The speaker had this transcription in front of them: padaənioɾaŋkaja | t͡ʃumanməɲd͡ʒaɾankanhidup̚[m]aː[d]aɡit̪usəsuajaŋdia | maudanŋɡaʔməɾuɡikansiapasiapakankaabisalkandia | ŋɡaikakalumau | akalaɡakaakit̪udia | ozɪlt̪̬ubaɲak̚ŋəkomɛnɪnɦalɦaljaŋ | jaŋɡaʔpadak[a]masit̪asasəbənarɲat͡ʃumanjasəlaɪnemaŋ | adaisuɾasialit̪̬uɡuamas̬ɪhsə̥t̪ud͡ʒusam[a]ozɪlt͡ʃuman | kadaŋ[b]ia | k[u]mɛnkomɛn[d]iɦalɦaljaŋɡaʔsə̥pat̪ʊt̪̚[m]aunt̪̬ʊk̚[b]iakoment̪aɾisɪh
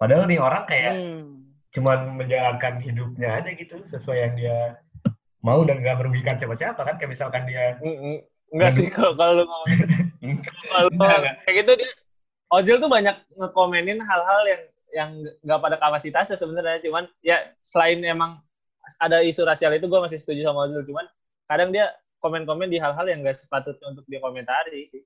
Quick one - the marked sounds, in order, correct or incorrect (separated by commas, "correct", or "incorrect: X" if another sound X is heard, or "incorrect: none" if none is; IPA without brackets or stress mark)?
incorrect: ɲ, incorrect: d͡ʒ, correct, correct, incorrect: d, incorrect: o, correct, incorrect: ɲ, incorrect: d